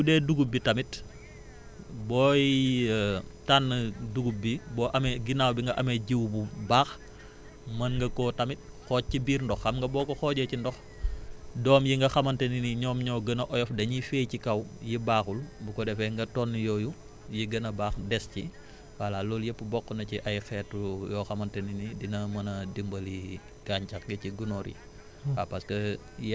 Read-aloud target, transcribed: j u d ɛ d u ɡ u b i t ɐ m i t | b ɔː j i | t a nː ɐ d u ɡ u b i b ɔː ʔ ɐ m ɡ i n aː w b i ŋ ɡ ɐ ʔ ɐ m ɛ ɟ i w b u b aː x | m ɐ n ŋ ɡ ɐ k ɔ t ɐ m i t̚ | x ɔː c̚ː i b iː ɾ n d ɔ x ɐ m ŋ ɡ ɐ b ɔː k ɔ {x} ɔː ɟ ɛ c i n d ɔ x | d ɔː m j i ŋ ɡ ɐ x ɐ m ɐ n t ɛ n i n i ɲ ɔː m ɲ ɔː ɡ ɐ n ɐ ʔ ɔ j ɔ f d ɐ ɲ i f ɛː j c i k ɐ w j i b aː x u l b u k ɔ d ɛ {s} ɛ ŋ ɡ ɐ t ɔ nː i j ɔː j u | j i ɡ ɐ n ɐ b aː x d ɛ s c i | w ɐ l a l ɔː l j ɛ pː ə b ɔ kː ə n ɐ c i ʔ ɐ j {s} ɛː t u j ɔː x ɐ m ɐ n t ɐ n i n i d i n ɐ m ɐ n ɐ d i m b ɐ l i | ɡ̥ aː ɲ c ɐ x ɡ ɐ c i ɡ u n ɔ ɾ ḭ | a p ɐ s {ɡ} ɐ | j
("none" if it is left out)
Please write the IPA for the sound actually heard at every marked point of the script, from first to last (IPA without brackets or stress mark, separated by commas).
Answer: x, f, x, k